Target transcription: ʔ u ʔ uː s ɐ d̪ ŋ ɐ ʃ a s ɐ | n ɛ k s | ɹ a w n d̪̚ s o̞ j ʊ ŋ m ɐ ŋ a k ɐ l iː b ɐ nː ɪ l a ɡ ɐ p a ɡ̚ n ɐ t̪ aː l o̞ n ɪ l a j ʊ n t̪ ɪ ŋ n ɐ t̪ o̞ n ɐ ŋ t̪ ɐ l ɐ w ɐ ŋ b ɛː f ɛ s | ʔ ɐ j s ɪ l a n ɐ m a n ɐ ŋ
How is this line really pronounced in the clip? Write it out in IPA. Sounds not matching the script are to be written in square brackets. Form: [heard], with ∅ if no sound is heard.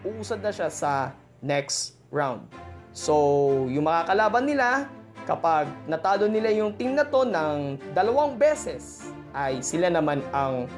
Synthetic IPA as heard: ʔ u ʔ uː s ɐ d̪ [n] ɐ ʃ a s ɐ | n ɛ k s | ɹ a w n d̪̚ s o̞ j ʊ ŋ m ɐ ŋ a k ɐ l [aː] b ɐ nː ɪ l a [k] ɐ p a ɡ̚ n ɐ t̪ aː l o̞ n ɪ l a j ʊ [ŋ] t̪ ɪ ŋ n ɐ t̪ o̞ n ɐ ŋ [d̪] ɐ l ɐ w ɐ ŋ b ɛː [s] ɛ s | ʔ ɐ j s ɪ l a n ɐ m a n ɐ ŋ